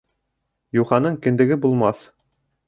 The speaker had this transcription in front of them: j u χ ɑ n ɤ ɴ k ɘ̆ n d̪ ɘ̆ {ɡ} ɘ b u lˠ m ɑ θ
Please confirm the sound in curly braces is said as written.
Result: yes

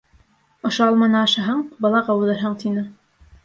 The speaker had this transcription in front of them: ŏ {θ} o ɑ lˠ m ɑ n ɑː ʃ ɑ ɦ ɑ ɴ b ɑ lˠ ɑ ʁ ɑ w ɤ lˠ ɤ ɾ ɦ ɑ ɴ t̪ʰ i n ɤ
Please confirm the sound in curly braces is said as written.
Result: no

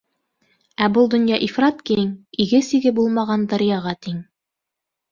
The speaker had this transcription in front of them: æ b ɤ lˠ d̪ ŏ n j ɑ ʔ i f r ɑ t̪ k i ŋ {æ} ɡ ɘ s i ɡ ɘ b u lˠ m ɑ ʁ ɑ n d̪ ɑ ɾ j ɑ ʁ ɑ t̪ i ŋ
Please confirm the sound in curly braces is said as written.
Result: no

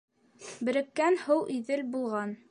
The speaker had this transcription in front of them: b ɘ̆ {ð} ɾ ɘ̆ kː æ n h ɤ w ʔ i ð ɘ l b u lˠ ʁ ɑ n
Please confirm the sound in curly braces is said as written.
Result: no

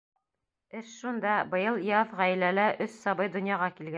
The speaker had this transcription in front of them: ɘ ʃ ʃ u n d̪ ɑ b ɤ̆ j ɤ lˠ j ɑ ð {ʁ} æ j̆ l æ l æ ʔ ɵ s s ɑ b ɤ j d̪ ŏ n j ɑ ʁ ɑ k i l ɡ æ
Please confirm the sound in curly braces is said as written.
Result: yes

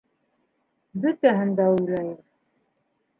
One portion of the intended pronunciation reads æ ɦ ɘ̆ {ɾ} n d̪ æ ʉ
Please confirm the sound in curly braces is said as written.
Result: no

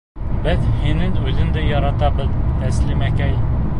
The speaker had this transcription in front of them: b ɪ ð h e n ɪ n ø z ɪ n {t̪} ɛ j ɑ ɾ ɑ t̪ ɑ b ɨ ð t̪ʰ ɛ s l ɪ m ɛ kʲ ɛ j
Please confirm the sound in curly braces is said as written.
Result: no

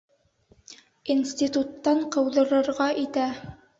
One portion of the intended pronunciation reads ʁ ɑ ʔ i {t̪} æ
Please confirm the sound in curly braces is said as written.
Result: yes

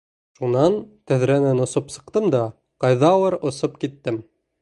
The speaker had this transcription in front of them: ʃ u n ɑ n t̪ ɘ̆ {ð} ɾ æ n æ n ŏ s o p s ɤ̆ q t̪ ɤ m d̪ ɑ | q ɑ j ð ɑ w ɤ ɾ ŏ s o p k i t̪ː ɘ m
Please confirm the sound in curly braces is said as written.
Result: yes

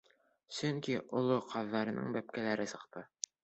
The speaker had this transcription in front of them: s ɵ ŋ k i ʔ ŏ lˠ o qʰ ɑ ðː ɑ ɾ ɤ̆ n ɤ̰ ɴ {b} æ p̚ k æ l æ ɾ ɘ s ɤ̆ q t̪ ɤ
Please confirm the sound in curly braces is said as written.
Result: yes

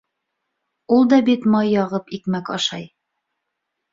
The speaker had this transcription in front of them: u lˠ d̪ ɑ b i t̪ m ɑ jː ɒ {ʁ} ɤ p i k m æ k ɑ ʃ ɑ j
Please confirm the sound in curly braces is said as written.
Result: yes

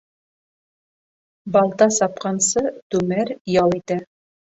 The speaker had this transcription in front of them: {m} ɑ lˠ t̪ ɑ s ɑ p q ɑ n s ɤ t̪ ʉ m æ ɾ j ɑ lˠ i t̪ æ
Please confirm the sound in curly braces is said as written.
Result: no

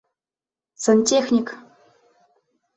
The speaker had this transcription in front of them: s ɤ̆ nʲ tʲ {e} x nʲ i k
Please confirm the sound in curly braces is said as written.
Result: yes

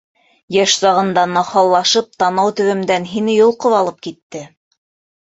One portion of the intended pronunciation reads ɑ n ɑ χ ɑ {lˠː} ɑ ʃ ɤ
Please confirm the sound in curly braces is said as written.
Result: yes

